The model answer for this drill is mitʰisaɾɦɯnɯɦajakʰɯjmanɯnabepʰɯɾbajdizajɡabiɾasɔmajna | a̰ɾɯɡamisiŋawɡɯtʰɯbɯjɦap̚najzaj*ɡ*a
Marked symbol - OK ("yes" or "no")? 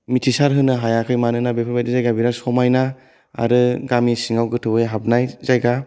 yes